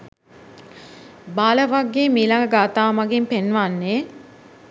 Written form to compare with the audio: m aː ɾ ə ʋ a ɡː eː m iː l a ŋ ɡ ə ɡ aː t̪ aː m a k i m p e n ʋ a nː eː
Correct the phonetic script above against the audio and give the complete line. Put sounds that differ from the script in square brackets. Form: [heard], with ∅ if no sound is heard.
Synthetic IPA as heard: [b] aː [l] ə ʋ a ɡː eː m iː l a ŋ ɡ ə ɡ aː t̪ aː m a [ɡ] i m p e n ʋ a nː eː